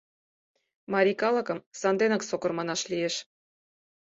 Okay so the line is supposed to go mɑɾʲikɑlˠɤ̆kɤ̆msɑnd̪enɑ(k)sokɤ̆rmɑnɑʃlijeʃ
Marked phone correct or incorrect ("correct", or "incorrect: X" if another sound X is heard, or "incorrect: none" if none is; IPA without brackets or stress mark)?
correct